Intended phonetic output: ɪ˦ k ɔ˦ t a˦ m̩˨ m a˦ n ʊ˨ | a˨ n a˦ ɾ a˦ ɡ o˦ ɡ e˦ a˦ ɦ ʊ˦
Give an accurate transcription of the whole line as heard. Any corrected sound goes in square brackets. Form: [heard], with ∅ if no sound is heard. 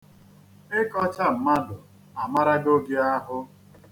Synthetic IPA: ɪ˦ k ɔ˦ [t͡ʃ] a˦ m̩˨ m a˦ [d] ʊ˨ | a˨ [m] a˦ ɾ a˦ ɡ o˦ ɡ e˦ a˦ ɦ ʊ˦